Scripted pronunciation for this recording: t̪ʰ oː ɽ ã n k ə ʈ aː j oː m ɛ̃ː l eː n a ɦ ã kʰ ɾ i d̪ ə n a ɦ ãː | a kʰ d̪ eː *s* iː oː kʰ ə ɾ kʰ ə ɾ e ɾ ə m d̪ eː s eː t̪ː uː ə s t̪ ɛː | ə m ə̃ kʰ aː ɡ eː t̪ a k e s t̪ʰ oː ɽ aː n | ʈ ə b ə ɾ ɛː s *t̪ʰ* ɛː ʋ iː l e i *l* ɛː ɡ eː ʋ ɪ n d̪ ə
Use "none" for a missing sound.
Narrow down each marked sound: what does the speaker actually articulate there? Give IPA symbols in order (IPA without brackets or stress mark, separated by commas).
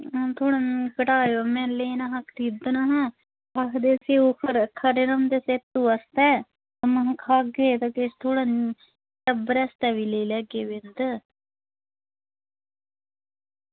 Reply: s, t̪, l